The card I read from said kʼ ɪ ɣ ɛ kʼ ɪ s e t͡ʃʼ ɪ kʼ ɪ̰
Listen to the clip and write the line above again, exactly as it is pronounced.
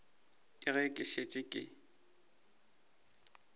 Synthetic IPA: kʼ ɪ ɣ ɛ kʼ ɪ ʃ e t͡ʃʼ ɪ kʼ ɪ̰